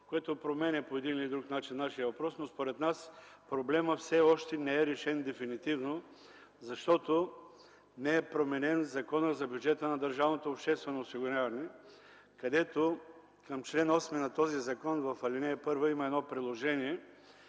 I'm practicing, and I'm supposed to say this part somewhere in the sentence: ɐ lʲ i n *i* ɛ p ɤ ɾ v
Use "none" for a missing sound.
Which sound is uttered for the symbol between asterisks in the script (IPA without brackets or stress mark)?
ɛ